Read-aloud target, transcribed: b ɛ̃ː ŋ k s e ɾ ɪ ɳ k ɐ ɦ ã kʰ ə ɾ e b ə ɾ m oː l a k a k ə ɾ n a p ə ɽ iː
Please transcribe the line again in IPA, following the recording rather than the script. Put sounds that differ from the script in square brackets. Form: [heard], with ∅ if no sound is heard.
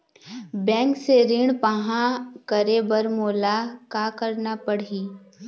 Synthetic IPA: b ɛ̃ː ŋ k s e ɾ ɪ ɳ [p] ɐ ɦ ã [k] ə ɾ e b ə ɾ m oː l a k a k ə ɾ n a p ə ɽ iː